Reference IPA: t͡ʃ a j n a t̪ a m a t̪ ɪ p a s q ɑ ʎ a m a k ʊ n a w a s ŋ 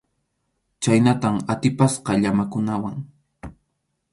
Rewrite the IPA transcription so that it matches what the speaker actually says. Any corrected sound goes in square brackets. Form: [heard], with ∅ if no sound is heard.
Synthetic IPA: t͡ʃ a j n a t̪ a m a t̪ ɪ p a s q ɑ ʎ a m a k ʊ n a w a [∅] ŋ